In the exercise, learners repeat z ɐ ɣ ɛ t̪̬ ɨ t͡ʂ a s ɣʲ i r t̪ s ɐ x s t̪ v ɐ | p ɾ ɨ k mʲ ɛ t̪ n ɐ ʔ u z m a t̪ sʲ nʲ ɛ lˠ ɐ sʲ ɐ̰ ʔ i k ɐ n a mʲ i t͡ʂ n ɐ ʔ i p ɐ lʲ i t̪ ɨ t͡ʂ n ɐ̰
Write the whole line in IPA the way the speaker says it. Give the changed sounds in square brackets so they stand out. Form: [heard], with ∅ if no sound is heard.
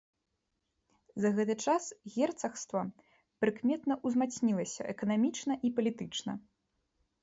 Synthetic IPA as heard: z ɐ ɣ ɛ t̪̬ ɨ t͡ʂ a s ɣʲ [ɛ] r t̪ s ɐ x s t̪ v ɐ | p ɾ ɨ k mʲ ɛ t̪ n ɐ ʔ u z m a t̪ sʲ nʲ [i] lˠ ɐ sʲ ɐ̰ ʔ [ɛ] k ɐ n a mʲ i t͡ʂ n ɐ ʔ i p ɐ lʲ i t̪ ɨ t͡ʂ n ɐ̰